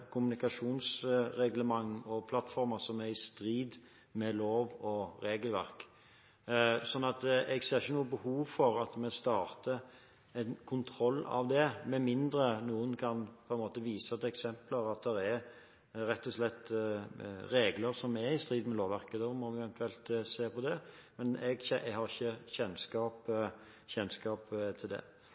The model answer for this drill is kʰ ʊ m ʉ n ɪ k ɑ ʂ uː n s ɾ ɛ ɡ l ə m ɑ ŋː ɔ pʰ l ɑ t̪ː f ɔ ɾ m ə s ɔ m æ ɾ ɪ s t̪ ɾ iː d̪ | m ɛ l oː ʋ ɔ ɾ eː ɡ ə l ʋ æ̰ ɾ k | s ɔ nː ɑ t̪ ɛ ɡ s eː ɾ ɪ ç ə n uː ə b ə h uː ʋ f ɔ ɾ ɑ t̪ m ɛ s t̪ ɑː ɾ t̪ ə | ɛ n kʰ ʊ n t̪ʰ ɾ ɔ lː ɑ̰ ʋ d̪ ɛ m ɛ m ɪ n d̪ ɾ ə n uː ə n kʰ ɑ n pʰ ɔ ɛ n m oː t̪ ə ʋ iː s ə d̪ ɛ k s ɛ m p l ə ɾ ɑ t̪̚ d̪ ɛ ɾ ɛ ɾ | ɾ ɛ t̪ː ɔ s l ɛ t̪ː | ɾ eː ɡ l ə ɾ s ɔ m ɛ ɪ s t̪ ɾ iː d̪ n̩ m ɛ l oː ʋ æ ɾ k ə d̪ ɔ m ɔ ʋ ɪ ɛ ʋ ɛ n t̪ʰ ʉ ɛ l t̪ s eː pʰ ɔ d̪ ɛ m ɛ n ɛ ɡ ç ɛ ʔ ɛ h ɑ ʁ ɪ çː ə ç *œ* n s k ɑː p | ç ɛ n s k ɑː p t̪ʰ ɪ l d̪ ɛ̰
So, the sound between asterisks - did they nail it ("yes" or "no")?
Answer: no